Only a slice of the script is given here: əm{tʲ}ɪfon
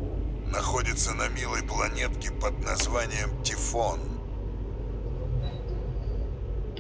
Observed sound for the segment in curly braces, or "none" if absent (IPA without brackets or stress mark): tʲ